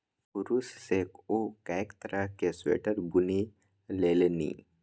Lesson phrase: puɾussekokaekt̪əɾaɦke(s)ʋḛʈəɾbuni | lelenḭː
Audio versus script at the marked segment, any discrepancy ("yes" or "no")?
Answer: no